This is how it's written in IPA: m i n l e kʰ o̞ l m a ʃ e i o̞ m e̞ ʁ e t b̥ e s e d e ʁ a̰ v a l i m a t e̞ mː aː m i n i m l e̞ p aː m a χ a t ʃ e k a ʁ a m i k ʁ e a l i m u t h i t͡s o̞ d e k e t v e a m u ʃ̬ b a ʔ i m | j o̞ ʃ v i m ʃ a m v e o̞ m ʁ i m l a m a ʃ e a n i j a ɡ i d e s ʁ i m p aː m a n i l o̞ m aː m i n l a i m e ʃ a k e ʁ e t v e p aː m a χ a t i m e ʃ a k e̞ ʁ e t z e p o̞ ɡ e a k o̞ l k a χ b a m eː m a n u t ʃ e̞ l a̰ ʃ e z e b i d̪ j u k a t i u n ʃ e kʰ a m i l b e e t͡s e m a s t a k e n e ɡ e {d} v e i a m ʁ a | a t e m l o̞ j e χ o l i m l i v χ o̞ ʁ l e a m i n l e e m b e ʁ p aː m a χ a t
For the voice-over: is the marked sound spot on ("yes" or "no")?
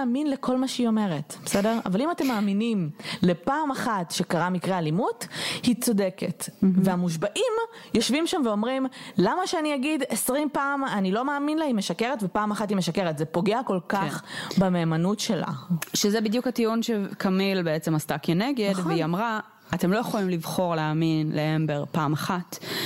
yes